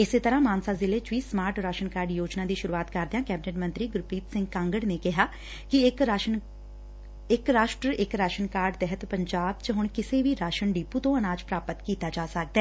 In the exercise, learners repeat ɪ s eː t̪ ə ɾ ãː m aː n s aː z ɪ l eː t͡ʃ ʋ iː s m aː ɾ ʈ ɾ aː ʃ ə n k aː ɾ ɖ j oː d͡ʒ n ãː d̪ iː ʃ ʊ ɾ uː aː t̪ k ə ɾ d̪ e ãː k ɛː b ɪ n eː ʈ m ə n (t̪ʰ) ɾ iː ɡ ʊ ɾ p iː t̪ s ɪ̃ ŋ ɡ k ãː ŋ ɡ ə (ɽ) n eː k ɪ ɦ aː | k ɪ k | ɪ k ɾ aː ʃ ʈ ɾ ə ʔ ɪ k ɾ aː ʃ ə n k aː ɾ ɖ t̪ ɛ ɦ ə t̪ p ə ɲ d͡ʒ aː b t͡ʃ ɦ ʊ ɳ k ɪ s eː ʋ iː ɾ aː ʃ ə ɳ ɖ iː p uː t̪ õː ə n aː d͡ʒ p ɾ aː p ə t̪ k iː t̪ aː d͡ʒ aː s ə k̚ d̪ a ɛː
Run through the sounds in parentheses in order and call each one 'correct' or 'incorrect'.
incorrect: t̪, correct

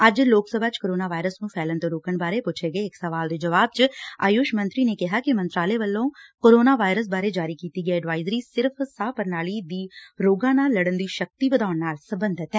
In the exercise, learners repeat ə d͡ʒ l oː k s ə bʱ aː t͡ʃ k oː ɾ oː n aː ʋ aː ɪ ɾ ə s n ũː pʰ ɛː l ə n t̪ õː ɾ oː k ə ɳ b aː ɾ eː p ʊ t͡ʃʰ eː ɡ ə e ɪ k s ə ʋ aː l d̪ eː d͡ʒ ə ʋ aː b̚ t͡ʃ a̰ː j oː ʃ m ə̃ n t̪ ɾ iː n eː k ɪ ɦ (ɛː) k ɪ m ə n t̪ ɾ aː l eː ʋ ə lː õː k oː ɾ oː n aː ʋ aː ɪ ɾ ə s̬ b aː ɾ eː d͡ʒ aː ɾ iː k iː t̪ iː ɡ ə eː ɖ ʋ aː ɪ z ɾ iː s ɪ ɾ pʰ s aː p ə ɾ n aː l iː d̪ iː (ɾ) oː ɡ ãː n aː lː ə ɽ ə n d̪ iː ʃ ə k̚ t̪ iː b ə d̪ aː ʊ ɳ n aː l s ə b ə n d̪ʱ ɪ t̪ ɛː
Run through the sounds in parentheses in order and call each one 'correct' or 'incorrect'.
incorrect: aː, correct

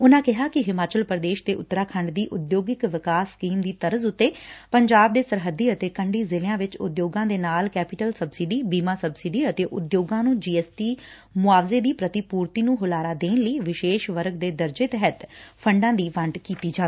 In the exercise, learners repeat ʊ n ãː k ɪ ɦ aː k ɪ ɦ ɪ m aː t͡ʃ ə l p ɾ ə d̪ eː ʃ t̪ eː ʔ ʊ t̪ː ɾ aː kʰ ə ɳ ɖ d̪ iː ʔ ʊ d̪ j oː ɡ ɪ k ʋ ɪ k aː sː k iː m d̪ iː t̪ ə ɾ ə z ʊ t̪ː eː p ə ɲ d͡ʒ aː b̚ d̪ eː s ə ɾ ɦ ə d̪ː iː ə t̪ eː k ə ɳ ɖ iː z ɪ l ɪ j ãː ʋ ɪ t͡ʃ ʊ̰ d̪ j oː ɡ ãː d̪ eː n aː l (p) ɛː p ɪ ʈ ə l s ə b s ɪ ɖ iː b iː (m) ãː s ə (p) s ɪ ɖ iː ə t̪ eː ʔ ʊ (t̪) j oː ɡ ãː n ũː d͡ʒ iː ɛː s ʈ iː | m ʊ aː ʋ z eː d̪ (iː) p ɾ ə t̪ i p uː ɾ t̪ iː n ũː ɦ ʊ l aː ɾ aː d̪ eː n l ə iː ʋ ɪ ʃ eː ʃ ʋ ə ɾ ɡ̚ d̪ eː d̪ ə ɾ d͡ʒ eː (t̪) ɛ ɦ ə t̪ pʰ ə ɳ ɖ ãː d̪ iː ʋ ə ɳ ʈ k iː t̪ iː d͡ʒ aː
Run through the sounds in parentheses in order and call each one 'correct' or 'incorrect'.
incorrect: k, correct, incorrect: b, incorrect: d̪, correct, correct

